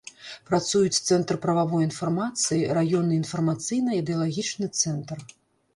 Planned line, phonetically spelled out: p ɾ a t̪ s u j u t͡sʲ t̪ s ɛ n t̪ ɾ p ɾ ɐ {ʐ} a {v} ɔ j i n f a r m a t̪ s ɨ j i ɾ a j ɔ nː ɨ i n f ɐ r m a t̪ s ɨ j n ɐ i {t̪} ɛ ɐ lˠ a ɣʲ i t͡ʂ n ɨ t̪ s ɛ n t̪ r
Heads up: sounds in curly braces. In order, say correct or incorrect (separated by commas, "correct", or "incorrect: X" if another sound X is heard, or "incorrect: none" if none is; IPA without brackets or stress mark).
incorrect: v, correct, incorrect: d̪